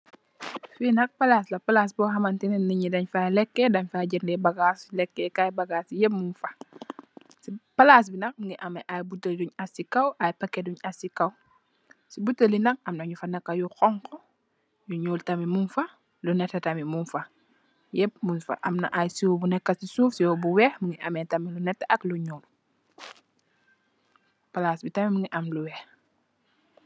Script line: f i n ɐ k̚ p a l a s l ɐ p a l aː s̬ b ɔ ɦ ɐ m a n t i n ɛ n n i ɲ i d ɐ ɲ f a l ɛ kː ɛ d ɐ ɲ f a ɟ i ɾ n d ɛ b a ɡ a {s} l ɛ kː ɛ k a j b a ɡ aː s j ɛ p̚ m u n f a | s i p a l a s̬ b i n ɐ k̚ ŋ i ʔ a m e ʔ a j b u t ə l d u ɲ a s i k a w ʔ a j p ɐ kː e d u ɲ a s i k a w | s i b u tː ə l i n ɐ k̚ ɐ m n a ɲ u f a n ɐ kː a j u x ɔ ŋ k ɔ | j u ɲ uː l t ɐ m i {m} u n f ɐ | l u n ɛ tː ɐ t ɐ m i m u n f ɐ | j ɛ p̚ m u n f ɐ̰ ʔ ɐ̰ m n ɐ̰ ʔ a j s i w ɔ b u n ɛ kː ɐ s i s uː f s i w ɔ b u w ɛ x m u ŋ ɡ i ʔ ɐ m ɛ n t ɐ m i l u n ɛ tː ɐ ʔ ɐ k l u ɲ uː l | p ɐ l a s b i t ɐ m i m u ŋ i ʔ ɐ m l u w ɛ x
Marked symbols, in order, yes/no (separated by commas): yes, yes